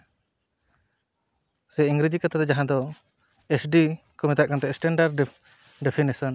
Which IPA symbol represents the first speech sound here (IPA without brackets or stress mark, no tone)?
s